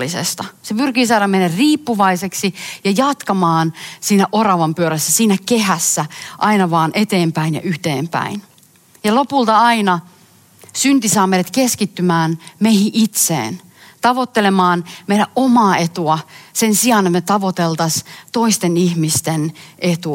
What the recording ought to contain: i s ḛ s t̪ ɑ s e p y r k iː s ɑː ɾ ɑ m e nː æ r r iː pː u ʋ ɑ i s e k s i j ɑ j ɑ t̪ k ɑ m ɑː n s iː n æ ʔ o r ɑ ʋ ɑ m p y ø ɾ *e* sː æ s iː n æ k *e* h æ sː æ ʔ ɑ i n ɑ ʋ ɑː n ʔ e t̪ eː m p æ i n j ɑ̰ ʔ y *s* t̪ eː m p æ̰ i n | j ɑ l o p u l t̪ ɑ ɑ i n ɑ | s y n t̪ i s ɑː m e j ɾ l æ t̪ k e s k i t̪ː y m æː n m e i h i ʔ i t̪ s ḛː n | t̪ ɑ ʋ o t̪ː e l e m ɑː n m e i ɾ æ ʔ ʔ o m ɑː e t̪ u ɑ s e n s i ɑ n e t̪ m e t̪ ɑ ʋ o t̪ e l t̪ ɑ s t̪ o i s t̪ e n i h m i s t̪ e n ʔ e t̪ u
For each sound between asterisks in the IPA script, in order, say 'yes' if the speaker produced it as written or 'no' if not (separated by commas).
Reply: no, yes, no